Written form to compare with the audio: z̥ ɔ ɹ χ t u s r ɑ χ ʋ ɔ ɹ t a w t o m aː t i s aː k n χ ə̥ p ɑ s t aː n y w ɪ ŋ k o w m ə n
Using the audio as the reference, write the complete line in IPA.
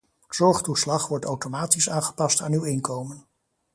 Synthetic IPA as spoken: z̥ ɔ ɹ χ t u s l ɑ χ ʋ ɔ ɹ t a w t o m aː t i s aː n χ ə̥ p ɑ s t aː n y w ɪ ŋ k o w m ə n